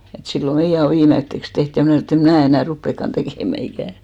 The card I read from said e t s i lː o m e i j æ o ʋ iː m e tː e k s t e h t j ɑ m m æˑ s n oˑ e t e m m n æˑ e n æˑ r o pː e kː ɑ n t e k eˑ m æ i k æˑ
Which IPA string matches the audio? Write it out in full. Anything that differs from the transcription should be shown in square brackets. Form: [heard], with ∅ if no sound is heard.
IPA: e t s i lː o m e i j æ o ʋ iː m e tː e k s t e h t j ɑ m [n] æˑ s n oˑ e t e m m n æˑ e n æˑ r [u] pː e kː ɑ n t e k eˑ m æ i k æˑ

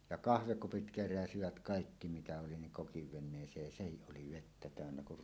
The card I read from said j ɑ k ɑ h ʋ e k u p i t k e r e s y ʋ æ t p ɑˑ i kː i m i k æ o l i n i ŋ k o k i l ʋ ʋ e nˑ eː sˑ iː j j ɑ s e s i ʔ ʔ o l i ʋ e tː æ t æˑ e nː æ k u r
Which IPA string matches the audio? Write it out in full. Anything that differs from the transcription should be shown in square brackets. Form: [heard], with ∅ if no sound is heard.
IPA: j ɑ k ɑ h ʋ e k u p i t k e r [æ] s [i] ʋ æ t [k] ɑˑ i kː i m i [t] æ o l i n i ŋ k o k i [∅] ʋ ʋ e nˑ eː sˑ [eː] j j ɑ s e [h] i ʔ ʔ o l i ʋ e tː æ t æˑ [ø] nː æ k u r

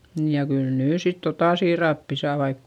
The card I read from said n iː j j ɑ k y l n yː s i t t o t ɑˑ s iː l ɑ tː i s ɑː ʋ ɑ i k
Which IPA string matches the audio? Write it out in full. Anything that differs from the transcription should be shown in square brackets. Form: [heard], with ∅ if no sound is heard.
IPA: n iː j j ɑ k y l n yː s i t t o t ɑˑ s iː [r] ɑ [pː] i s ɑː ʋ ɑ i k

